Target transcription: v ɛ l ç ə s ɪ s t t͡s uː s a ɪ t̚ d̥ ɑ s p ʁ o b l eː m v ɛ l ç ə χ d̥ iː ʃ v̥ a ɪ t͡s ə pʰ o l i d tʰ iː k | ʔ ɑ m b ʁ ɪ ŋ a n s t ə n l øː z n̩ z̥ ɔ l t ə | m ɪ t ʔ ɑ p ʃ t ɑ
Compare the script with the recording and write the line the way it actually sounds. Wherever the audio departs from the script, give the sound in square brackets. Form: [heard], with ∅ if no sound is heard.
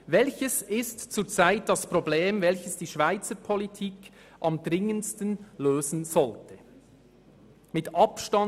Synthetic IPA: v ɛ l ç ə s ɪ s t t͡s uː [t͡s] a ɪ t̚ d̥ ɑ s p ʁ o b l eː m v ɛ l ç ə [s] d̥ iː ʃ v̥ a ɪ t͡s ə pʰ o l i [∅] tʰ iː k | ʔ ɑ m [d] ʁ ɪ ŋ [ə] n s t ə n l øː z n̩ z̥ ɔ l t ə | m ɪ t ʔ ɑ p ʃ t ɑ